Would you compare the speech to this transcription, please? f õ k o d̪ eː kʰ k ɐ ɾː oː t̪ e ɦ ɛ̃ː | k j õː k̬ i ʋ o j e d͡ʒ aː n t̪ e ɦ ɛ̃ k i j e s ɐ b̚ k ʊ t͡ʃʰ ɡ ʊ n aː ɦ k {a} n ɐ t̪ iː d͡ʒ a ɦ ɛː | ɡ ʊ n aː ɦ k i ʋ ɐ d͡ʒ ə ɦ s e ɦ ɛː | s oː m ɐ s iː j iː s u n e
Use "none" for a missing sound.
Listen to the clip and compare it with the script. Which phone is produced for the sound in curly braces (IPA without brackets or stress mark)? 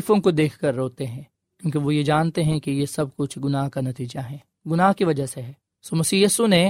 a